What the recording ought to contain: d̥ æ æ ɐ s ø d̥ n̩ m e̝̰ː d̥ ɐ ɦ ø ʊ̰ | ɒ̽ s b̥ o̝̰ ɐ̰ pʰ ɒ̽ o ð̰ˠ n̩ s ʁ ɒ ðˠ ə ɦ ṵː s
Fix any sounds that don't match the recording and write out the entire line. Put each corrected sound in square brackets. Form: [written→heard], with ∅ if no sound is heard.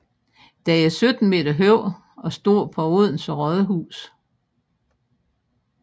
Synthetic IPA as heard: d̥ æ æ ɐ s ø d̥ n̩ m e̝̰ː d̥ ɐ ɦ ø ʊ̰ | ɒ̽ s [b̥→d̥] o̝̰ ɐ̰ pʰ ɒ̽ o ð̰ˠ n̩ s ʁ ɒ ðˠ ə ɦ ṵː s